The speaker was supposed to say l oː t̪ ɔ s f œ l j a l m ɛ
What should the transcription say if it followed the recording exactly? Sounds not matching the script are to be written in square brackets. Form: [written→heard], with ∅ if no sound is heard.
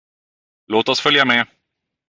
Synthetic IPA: l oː t̪ ɔ s f œ l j a [l→∅] m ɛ